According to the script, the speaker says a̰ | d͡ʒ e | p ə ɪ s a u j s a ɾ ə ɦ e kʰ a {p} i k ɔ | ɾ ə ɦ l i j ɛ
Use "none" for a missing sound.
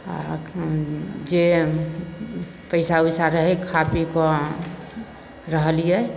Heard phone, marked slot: p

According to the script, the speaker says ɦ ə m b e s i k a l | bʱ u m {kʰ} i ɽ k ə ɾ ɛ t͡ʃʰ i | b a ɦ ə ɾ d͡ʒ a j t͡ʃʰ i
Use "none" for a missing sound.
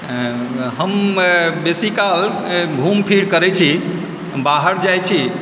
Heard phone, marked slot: pʰ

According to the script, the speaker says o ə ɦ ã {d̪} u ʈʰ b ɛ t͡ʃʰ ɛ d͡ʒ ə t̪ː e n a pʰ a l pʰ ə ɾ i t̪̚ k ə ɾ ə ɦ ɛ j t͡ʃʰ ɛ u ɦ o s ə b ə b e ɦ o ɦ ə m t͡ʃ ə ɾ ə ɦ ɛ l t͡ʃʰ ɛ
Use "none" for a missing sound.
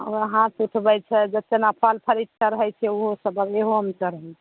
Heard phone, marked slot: t̪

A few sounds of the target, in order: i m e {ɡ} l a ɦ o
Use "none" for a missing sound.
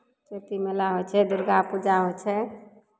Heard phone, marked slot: none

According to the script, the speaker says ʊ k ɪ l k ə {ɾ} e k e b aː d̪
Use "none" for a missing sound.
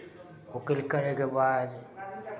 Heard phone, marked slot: ɾ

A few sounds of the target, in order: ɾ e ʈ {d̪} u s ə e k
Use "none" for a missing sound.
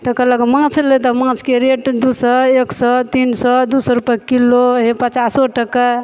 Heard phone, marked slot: d̪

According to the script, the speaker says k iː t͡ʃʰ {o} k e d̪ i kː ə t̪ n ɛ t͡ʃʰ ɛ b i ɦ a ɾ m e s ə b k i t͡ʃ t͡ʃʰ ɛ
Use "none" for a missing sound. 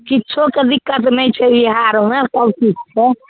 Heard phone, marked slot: o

